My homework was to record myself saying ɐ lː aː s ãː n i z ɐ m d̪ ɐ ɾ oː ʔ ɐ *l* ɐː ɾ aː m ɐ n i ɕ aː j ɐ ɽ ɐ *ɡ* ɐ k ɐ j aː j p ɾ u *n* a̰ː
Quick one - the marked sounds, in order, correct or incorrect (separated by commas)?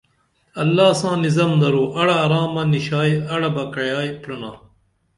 incorrect, incorrect, correct